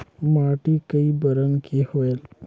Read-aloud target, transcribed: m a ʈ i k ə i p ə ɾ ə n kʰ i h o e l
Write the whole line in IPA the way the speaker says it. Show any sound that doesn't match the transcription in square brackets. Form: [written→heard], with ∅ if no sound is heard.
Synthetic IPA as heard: m a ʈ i k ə i [p→b] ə ɾ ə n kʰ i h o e l